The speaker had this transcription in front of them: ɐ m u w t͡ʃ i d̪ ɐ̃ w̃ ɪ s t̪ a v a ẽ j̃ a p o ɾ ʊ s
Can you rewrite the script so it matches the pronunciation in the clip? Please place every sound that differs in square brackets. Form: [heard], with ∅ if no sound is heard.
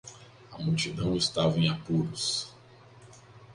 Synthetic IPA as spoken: ɐ m u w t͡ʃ i d̪ ɐ̃ w̃ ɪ s t̪ a v [ɐ] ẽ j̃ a p [u] ɾ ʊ s